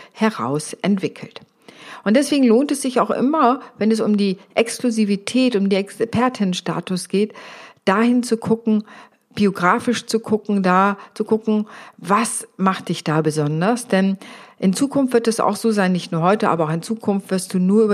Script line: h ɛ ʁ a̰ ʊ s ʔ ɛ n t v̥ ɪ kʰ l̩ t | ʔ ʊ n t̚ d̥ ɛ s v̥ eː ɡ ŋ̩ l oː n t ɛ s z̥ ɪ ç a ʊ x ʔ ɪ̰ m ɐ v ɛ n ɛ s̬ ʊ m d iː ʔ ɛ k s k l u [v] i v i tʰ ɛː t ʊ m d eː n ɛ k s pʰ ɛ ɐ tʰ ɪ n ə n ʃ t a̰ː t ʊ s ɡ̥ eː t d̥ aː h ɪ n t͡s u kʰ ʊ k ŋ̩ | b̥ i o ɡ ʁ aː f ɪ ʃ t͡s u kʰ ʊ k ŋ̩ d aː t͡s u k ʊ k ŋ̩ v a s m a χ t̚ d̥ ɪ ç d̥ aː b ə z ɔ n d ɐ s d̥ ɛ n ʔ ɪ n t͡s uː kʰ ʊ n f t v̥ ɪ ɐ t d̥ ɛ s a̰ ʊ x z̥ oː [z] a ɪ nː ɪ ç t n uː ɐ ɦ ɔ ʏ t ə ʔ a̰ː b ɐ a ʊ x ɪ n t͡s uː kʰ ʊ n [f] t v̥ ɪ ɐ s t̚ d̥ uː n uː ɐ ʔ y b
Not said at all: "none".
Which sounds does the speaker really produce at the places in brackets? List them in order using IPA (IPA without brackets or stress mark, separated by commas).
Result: z, z, f